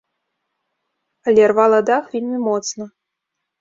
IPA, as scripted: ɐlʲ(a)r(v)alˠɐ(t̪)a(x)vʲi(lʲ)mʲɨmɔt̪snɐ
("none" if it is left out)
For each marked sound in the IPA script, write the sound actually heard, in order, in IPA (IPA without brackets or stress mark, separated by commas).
ɛ, v, d̪, x, lʲ